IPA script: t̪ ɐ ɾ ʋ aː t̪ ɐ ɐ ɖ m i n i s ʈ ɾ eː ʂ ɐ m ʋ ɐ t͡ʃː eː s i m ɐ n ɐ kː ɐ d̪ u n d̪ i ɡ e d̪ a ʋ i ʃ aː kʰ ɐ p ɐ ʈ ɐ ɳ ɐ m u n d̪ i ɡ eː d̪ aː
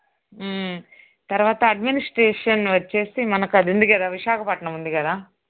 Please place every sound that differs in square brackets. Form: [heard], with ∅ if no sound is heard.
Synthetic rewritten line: t̪ ɐ ɾ ʋ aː t̪ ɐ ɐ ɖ m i n i s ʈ ɾ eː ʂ ɐ [n] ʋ ɐ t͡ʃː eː s i m ɐ n ɐ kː ɐ d̪ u n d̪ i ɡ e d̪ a ʋ i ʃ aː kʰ ɐ p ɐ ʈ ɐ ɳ ɐ m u n d̪ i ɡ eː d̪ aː